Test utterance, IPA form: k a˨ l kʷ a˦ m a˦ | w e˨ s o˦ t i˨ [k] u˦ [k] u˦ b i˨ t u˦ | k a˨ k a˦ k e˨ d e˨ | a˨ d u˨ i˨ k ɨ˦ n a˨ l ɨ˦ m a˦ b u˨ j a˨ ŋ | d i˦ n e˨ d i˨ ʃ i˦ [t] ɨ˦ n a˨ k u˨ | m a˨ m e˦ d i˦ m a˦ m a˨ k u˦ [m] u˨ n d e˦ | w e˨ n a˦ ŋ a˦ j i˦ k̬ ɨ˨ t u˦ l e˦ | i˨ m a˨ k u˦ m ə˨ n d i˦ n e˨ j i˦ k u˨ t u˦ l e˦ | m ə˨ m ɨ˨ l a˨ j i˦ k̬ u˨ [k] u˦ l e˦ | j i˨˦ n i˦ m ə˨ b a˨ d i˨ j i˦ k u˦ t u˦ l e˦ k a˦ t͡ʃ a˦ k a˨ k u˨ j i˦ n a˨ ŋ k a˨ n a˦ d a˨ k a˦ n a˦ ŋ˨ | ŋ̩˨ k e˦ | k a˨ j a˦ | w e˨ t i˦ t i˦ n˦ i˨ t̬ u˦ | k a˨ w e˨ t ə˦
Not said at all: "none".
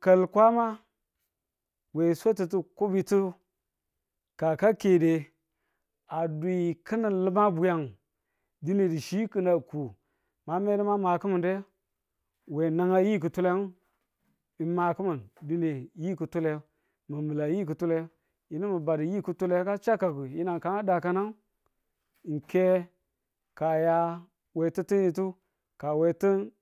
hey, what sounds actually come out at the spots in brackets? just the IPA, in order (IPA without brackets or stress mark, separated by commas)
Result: t, k, k, m, t